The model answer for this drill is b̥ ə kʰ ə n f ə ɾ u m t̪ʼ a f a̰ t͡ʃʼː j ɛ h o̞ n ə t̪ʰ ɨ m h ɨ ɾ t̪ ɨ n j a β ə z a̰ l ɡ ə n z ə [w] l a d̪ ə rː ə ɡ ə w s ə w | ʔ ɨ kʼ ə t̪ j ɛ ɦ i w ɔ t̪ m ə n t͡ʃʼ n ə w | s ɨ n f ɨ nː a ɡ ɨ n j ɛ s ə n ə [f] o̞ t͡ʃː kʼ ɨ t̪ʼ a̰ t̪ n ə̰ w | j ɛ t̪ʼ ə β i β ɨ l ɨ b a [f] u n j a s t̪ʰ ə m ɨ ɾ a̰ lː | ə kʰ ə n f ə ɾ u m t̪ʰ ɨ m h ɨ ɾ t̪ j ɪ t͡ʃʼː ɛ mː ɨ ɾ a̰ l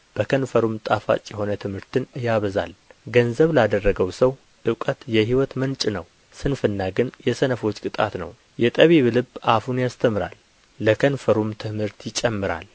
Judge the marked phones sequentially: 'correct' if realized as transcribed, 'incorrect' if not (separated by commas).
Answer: incorrect, correct, correct